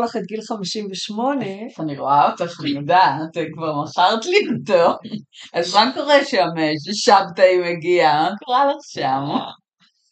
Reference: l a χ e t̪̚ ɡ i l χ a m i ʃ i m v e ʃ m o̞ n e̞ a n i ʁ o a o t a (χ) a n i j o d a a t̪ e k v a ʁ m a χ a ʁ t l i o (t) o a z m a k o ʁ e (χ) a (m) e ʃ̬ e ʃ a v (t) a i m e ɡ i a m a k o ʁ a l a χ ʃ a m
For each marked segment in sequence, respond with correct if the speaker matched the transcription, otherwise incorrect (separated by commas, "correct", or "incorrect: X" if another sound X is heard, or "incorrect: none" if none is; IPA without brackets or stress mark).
correct, correct, incorrect: ʃ, correct, correct